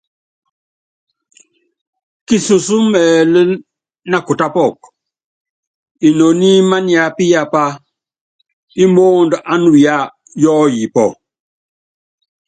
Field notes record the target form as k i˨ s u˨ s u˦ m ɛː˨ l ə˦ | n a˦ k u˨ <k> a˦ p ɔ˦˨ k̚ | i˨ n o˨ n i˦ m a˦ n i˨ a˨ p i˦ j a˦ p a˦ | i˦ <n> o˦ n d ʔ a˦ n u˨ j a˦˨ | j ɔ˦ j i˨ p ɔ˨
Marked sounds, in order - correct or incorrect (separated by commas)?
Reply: incorrect, incorrect